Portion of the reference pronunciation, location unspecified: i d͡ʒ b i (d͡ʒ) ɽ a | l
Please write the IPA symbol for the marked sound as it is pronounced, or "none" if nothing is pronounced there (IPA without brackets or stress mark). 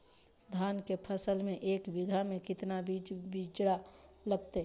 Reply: d͡ʒ